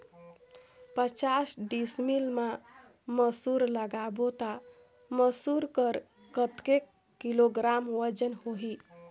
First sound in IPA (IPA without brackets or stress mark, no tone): p